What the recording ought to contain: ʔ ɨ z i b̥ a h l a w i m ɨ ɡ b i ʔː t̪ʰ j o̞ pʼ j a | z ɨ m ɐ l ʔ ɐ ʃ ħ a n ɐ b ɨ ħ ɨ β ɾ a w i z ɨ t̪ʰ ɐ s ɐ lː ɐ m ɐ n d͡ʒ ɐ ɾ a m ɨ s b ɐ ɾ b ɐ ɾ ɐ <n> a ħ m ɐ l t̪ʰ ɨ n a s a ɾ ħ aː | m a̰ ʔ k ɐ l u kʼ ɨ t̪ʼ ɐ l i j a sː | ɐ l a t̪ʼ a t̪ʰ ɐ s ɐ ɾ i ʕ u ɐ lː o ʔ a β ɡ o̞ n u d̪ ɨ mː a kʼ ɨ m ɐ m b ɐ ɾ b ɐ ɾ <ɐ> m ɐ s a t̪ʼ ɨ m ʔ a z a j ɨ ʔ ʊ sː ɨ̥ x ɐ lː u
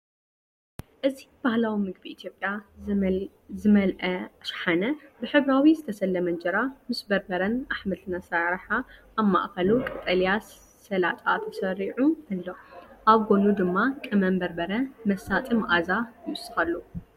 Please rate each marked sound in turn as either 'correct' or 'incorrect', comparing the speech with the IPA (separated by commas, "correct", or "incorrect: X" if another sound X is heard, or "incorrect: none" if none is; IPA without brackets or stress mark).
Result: correct, correct